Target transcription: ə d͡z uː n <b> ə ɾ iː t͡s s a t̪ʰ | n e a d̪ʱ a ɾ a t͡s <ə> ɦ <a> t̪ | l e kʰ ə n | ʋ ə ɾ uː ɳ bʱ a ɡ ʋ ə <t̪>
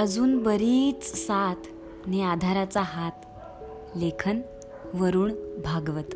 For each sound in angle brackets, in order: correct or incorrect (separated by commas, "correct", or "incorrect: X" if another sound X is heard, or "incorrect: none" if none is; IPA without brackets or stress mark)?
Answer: correct, incorrect: a, correct, correct